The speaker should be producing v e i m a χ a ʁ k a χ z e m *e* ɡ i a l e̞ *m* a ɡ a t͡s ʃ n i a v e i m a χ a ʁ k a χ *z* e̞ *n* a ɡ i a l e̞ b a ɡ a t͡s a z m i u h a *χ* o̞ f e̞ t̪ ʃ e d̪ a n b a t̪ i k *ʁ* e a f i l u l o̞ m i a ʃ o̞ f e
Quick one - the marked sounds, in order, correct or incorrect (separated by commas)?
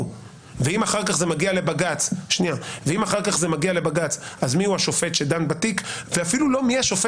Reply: incorrect, incorrect, correct, incorrect, incorrect, incorrect